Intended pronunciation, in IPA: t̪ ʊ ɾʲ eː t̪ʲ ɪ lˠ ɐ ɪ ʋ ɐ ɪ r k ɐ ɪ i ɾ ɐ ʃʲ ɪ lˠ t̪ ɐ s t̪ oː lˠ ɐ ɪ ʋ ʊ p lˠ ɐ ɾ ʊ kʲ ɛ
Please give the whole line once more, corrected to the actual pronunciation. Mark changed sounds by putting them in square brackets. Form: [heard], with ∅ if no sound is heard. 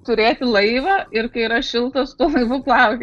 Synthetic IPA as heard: t̪ ʊ ɾʲ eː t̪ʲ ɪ lˠ ɐ ɪ ʋ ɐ ɪ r k ɐ ɪ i ɾ ɐ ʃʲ ɪ lˠ t̪ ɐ s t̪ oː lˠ ɐ ɪ ʋ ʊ p lˠ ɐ [∅] ʊ kʲ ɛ